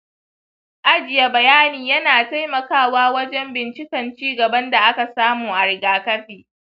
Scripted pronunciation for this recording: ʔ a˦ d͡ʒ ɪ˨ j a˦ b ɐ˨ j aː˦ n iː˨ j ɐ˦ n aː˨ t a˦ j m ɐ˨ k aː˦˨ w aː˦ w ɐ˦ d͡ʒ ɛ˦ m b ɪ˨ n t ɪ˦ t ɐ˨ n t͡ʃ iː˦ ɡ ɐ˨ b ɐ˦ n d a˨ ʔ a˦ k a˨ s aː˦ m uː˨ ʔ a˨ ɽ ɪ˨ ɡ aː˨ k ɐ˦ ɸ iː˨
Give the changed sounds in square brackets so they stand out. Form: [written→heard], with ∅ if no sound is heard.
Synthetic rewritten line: ʔ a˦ d͡ʒ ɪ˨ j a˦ b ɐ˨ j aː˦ n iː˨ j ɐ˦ n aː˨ t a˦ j m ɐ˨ k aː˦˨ w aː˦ w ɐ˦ d͡ʒ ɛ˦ m b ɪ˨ n [t→t͡ʃ] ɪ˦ [t→k] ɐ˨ n t͡ʃ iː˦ ɡ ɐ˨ b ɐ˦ n d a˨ ʔ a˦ k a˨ s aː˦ m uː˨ ʔ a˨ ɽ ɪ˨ ɡ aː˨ k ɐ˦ ɸ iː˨